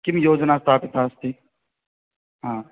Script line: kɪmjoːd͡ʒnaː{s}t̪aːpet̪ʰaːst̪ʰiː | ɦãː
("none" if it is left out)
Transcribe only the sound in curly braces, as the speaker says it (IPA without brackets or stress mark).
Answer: s